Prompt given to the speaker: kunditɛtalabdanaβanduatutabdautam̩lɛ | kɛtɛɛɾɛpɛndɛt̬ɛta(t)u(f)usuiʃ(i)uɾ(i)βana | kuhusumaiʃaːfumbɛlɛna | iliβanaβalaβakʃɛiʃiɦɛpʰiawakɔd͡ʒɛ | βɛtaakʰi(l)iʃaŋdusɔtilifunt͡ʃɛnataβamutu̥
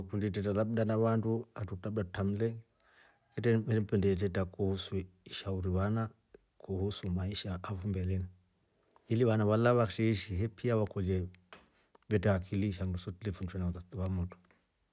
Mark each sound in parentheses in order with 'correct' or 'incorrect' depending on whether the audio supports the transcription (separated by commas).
incorrect, incorrect, incorrect, correct, correct